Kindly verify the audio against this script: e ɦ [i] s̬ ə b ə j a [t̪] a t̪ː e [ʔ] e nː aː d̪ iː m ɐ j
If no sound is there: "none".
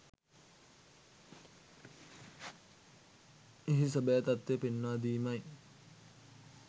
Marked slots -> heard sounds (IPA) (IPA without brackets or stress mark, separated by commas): i, t̪, p